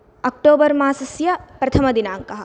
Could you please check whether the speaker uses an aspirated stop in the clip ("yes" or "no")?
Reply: yes